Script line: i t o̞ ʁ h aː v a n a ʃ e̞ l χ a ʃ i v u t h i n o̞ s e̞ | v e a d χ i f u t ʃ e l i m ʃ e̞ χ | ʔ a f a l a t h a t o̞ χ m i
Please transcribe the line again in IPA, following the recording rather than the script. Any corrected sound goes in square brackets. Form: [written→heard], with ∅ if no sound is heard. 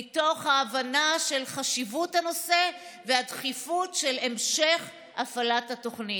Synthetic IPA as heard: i t o̞ [ʁ→χ] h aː v a n a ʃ e̞ l χ a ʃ i v u t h [i→a] n o̞ s e̞ | v e a d χ i f u t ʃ e l [i→e] m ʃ e̞ χ | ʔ a f a l a t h a t o̞ χ [m→n] i